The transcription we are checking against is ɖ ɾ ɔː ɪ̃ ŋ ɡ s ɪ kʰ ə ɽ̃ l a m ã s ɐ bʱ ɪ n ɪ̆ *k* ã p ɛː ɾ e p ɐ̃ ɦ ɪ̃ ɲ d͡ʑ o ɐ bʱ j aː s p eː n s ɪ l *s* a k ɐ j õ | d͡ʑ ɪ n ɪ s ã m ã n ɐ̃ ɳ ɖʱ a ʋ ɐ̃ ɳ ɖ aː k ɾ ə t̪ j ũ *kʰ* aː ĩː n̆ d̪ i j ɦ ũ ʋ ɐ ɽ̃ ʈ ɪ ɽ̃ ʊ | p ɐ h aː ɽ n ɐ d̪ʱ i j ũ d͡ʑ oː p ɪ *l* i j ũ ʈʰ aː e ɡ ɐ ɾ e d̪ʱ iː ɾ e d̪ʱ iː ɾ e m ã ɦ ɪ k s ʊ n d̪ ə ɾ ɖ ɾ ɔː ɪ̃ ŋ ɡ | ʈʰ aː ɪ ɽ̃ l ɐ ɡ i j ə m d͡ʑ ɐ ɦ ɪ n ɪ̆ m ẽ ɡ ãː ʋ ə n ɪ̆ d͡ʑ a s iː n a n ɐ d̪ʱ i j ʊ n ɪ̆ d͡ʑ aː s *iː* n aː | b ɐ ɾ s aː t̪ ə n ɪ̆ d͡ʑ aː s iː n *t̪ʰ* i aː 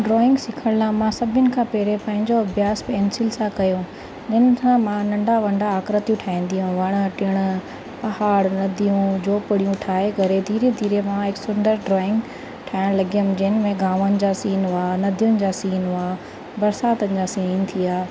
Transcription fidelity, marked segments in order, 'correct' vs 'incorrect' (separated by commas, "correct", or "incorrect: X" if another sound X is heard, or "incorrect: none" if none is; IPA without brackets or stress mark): incorrect: kʰ, correct, incorrect: ʈʰ, incorrect: ɽ, correct, correct